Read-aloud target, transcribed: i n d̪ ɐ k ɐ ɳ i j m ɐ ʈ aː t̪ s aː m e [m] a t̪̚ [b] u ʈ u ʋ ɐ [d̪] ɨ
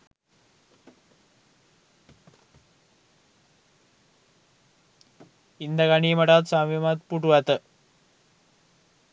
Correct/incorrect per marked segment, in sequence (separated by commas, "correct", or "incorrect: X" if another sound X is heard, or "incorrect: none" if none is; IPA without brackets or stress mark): correct, incorrect: p, incorrect: t̪